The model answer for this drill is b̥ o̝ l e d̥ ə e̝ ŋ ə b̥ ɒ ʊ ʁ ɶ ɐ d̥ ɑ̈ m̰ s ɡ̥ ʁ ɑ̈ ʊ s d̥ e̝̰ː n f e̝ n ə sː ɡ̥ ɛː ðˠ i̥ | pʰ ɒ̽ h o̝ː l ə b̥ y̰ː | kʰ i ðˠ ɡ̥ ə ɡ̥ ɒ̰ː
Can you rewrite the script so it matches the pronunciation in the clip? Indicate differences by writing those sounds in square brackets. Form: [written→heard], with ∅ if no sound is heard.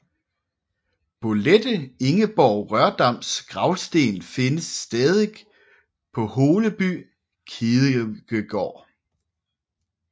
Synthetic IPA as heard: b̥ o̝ l e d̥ ə e̝ ŋ ə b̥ ɒ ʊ ʁ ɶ ɐ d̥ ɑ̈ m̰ s ɡ̥ ʁ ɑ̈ ʊ s d̥ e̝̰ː n f e̝ n ə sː [ɡ̥→d̥] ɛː ðˠ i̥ | pʰ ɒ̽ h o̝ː l ə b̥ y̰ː | kʰ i ðˠ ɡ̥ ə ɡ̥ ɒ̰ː

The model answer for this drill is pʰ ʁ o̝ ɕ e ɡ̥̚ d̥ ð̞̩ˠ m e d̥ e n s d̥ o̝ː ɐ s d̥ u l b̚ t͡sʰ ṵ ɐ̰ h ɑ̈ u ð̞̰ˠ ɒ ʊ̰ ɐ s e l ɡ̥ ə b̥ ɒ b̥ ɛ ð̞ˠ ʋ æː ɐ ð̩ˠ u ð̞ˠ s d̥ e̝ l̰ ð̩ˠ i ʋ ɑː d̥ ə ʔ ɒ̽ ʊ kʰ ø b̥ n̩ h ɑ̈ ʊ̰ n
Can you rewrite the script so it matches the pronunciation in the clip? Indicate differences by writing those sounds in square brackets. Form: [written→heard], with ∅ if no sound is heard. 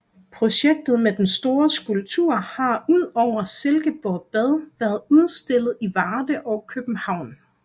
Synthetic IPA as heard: pʰ ʁ o̝ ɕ e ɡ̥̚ d̥ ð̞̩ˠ m e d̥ e n s d̥ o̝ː ɐ s [d̥→ɡ̥] u l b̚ t͡sʰ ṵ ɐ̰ h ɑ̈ u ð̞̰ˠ ɒ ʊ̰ ɐ s e l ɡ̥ ə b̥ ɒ b̥ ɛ ð̞ˠ ʋ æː ɐ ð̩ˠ u ð̞ˠ s d̥ e̝ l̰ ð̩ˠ i ʋ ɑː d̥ ə ʔ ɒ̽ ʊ kʰ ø b̥ n̩ h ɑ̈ ʊ̰ n

